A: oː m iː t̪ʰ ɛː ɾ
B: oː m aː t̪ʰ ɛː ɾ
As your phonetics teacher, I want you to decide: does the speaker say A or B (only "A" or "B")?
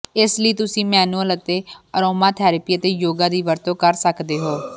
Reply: B